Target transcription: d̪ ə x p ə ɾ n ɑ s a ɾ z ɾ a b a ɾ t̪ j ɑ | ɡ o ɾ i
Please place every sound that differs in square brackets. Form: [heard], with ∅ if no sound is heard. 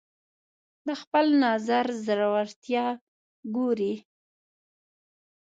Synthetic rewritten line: d̪ ə x p ə [l] n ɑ [z] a ɾ z ɾ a [w] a ɾ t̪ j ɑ | ɡ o ɾ i